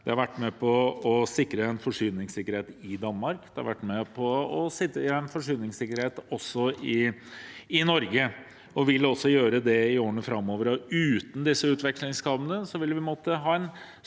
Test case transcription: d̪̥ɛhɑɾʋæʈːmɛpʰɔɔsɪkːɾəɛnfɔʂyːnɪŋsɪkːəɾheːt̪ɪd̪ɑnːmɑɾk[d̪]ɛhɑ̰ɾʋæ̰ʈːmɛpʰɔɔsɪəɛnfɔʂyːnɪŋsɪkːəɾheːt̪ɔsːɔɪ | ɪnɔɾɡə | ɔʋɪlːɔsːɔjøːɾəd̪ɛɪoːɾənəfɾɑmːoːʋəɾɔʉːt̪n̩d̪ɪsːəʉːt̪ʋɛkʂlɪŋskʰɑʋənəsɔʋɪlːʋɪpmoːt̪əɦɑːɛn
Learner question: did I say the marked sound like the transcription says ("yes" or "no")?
yes